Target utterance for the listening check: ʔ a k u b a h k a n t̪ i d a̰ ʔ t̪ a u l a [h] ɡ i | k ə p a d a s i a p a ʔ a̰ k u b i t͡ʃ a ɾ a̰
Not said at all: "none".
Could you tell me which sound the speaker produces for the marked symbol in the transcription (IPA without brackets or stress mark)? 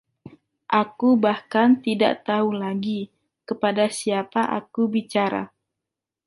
none